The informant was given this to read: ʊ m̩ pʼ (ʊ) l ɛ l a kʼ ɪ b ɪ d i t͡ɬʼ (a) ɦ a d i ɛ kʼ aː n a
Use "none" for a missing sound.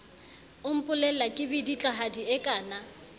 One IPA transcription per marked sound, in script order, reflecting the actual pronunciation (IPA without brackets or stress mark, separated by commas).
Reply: ʊ, a